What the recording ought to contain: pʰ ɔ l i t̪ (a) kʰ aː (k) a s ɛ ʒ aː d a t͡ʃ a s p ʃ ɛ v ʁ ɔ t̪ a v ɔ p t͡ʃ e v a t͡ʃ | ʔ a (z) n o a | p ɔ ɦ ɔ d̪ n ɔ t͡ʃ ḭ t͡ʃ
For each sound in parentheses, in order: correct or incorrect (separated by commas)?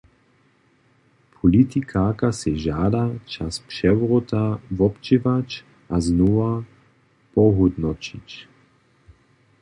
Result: incorrect, correct, correct